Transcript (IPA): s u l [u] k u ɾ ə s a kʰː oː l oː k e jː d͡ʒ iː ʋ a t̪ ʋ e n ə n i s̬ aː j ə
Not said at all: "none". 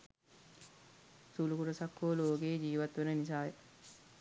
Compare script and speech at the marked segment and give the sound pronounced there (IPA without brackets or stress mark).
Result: u